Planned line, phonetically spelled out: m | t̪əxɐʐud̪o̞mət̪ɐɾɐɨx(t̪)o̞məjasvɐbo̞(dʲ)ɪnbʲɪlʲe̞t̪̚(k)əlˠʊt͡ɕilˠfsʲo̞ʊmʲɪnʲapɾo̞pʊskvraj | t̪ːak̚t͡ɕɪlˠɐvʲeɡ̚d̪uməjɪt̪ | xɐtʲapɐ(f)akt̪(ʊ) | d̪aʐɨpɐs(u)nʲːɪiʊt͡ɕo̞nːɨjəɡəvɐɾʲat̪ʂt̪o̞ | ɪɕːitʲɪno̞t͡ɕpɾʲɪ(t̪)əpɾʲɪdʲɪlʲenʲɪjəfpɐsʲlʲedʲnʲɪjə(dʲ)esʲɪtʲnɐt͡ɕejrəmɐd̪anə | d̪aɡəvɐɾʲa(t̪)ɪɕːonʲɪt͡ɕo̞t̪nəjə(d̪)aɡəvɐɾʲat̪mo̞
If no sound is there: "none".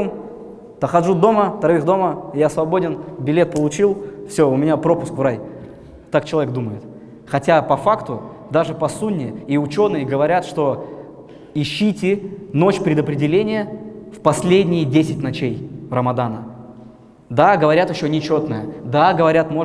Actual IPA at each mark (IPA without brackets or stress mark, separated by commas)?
d̪, dʲ, p, f, ʊ, u, d̪, dʲ, t̪, d̪